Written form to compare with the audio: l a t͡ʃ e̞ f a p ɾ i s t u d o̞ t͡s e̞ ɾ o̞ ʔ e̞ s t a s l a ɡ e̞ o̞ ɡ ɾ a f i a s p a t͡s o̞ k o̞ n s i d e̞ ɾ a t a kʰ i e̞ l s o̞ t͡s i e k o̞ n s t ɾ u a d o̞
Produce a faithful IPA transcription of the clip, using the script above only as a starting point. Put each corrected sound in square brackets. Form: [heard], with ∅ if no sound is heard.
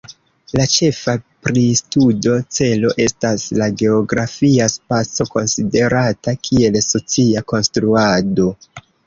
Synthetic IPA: l a t͡ʃ e̞ f a p ɾ i s t u d o̞ t͡s e̞ [l] o̞ ʔ e̞ s t a s l a ɡ e̞ o̞ ɡ ɾ a f i a s p a t͡s o̞ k o̞ n s i d e̞ ɾ a t a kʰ i e̞ l s o̞ t͡s i [a] k o̞ n s t ɾ u a d o̞